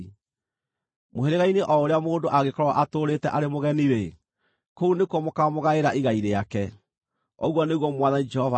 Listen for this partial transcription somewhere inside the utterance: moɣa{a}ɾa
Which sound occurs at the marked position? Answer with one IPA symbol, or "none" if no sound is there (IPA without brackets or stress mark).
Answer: e